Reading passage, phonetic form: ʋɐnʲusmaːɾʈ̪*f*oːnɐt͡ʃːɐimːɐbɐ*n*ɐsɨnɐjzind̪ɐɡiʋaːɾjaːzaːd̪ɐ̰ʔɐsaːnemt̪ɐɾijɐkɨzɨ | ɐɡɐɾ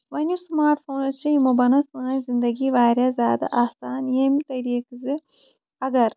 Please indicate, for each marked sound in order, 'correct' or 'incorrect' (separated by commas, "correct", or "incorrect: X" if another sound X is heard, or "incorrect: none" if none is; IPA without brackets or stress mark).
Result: correct, correct